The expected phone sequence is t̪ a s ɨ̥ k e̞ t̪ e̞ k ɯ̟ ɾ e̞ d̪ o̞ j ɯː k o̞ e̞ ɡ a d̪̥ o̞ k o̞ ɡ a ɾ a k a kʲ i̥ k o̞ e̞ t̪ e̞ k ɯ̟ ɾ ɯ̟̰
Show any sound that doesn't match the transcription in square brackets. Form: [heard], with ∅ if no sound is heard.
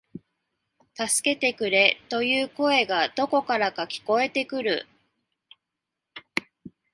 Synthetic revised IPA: t̪ a s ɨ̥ k e̞ t̪ e̞ k ɯ̟ ɾ e̞ [t̪] o̞ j ɯː k o̞ e̞ ɡ a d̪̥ o̞ k o̞ [k] a ɾ a k a kʲ i̥ k o̞ e̞ t̪ e̞ k ɯ̟ ɾ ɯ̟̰

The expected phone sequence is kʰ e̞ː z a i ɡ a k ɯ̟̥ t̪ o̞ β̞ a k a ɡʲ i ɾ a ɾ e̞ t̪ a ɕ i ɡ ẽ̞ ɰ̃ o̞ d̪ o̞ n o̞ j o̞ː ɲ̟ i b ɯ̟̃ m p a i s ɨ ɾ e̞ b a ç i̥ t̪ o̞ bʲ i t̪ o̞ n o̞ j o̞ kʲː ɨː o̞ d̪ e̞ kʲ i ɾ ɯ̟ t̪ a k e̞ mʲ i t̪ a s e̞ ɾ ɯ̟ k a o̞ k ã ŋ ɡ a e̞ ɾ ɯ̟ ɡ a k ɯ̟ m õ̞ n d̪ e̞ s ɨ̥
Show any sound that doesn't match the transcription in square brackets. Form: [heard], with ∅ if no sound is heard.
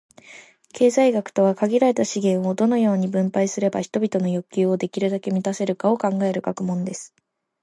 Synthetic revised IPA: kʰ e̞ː z a i ɡ a k ɯ̟̥ t̪ o̞ β̞ a k a ɡʲ i ɾ a ɾ e̞ t̪ a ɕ i ɡ ẽ̞ ɰ̃ o̞ d̪ o̞ n o̞ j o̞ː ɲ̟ i b ɯ̟̃ m p a i s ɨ ɾ e̞ b a ç i̥ t̪ o̞ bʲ i t̪ o̞ n o̞ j o̞ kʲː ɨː o̞ d̪ e̞ kʲ i ɾ ɯ̟ [d̪] a k e̞ mʲ i t̪ a s e̞ ɾ ɯ̟ k a o̞ k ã ŋ ɡ a e̞ ɾ ɯ̟ ɡ a k ɯ̟ m õ̞ n d̪ e̞ s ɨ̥

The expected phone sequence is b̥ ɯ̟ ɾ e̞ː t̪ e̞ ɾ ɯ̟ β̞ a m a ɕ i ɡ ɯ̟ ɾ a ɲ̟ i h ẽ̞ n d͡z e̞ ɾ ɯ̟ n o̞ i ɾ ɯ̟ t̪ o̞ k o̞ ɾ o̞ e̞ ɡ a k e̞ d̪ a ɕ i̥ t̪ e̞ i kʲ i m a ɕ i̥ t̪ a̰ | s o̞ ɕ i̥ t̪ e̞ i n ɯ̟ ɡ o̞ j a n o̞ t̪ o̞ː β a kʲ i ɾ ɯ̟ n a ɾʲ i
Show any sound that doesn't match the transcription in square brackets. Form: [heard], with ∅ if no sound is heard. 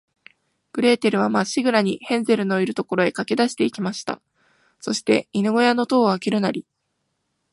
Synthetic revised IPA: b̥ ɯ̟ ɾ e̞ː t̪ e̞ ɾ ɯ̟ β̞ a m a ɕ i ɡ ɯ̟ ɾ a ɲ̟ i h ẽ̞ n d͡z e̞ ɾ ɯ̟ n o̞ i ɾ ɯ̟ t̪ o̞ k o̞ ɾ o̞ e̞ [k] a k e̞ d̪ a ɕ i̥ t̪ e̞ i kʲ i m a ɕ i̥ t̪ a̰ | s o̞ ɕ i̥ t̪ e̞ i n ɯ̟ ɡ o̞ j a n o̞ t̪ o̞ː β a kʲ i ɾ ɯ̟ n a ɾʲ i

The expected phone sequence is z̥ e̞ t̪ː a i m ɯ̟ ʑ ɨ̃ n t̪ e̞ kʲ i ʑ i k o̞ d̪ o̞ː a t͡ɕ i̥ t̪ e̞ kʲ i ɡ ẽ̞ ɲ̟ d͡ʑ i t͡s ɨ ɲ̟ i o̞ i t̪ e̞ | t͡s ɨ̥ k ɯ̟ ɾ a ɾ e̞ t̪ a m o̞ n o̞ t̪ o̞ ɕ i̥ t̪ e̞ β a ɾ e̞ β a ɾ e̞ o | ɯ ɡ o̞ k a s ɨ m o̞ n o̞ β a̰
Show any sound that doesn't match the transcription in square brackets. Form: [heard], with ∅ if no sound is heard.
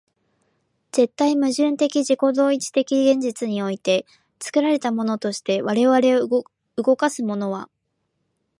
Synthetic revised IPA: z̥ e̞ t̪ː a i m ɯ̟ ʑ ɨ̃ n t̪ e̞ kʲ i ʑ i k o̞ d̪ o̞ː [i] t͡ɕ i̥ t̪ e̞ kʲ i ɡ ẽ̞ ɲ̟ d͡ʑ i t͡s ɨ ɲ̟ i o̞ i t̪ e̞ | t͡s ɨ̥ k ɯ̟ ɾ a ɾ e̞ t̪ a m o̞ n o̞ t̪ o̞ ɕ i̥ t̪ e̞ β a ɾ e̞ β a ɾ e̞ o | ɯ ɡ o̞ k a s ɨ m o̞ n o̞ β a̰

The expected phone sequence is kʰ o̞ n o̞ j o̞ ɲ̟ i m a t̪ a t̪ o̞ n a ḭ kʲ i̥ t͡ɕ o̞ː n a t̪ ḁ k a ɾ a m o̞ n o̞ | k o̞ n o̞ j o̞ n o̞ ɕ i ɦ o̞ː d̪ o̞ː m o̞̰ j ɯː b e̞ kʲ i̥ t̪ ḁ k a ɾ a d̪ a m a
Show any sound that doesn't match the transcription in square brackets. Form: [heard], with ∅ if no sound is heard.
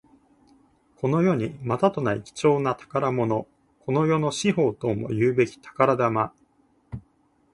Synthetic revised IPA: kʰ o̞ n o̞ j o̞ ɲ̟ i m a t̪ a t̪ o̞ n a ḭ kʲ i̥ t͡ɕ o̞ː n a t̪ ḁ k a ɾ a m o̞ n o̞ | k o̞ n o̞ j o̞ n o̞ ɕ i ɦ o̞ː [t̪] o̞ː m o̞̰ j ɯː b e̞ kʲ i̥ t̪ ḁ k a ɾ a d̪ a m a

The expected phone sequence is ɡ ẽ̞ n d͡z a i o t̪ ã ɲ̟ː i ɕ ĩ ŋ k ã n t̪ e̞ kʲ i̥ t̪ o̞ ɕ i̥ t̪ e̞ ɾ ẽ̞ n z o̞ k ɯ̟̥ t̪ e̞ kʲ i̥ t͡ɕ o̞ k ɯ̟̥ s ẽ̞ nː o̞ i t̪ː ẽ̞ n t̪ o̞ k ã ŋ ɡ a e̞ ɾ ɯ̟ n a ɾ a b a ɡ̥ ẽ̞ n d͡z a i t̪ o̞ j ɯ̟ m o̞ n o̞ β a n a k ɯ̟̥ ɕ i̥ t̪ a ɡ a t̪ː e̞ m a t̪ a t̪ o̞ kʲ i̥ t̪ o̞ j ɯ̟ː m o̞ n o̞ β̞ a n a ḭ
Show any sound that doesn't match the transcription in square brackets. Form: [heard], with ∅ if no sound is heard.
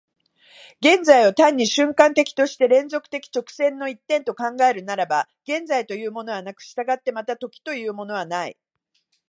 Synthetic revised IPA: ɡ ẽ̞ n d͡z a i o t̪ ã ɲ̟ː i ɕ [ɨ̃] ŋ k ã n t̪ e̞ kʲ i̥ t̪ o̞ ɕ i̥ t̪ e̞ ɾ ẽ̞ n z o̞ k ɯ̟̥ t̪ e̞ kʲ i̥ t͡ɕ o̞ k ɯ̟̥ s ẽ̞ nː o̞ i t̪ː ẽ̞ n t̪ o̞ k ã ŋ ɡ a e̞ ɾ ɯ̟ n a ɾ a b a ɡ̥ ẽ̞ n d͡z a i t̪ o̞ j [ɯ̟ː] m o̞ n o̞ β a n a k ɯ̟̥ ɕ i̥ t̪ a ɡ a t̪ː e̞ m a t̪ a t̪ o̞ kʲ i̥ t̪ o̞ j ɯ̟ː m o̞ n o̞ β̞ a n a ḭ

